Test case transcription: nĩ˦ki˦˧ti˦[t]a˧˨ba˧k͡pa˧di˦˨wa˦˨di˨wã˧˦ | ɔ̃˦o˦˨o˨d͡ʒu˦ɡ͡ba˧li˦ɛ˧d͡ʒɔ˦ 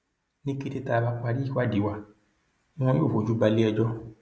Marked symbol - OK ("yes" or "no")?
yes